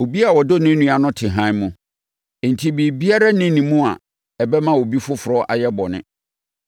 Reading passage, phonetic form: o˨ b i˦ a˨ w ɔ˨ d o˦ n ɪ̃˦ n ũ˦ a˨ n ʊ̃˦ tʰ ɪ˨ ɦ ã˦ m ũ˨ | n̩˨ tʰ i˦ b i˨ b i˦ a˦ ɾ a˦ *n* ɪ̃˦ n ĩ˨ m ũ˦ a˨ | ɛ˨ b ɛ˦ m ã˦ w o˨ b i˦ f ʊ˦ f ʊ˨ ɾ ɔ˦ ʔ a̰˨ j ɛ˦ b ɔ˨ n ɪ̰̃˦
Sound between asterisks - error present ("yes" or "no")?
no